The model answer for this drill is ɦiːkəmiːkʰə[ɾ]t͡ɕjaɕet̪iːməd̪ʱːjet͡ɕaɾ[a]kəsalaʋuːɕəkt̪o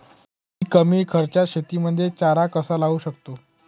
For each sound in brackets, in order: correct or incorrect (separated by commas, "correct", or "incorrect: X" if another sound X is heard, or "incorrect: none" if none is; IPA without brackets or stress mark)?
correct, correct